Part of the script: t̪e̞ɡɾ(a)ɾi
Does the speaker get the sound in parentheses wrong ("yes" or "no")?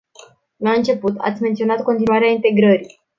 yes